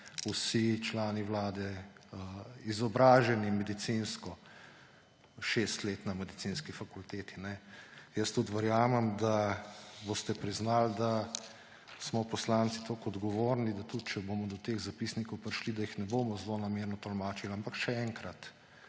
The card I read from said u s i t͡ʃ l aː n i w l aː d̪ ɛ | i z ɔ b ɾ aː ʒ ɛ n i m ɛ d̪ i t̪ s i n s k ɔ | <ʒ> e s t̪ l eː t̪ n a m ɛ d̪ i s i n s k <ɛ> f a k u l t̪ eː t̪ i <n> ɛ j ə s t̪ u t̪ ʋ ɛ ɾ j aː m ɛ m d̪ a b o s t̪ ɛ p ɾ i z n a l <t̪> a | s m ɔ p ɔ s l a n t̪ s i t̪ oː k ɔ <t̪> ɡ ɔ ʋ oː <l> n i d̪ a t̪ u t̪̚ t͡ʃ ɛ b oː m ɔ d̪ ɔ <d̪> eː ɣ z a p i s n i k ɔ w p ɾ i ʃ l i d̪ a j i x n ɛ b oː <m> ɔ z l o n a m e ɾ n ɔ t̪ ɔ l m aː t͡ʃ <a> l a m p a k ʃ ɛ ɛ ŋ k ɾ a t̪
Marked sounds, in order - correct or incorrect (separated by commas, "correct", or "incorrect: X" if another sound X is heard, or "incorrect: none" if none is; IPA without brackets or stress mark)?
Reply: incorrect: ʃ, incorrect: i, correct, incorrect: d̪, incorrect: d̪, incorrect: ɾ, incorrect: t̪, correct, incorrect: i